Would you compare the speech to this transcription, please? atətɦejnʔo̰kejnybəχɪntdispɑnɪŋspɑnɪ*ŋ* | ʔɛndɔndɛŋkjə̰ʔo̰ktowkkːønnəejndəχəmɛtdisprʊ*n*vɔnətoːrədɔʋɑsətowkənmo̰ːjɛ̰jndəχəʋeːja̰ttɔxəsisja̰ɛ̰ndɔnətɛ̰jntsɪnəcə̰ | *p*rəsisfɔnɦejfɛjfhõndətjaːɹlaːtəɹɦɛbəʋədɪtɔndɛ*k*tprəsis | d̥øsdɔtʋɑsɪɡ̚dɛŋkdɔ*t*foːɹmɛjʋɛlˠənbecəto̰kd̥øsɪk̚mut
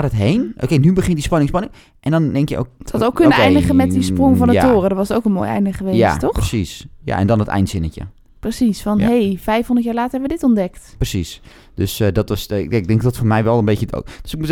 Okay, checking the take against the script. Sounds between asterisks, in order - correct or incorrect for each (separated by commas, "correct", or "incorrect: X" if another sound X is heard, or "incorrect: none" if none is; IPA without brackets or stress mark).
correct, incorrect: ŋ, correct, correct, correct